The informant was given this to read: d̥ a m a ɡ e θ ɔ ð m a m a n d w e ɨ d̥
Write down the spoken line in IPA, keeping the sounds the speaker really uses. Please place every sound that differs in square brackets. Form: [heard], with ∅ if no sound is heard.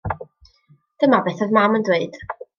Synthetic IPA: d̥ [ə] m a [b] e θ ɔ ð m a m [ə] n d w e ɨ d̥